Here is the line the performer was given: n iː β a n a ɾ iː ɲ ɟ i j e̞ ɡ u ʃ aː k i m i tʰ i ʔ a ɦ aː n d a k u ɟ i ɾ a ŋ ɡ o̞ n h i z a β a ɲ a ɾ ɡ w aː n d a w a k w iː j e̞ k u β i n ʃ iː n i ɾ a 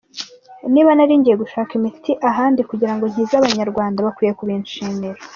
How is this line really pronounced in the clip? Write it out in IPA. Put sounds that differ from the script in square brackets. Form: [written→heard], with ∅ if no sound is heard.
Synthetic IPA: n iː β a n a ɾ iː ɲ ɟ i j e̞ ɡ u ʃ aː k i m i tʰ i ʔ a ɦ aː n d [a→i] k u ɟ i ɾ a ŋ ɡ o̞ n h i z a β a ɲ a ɾ ɡ w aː n d a [w→β] a k w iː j e̞ k u β i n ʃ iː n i ɾ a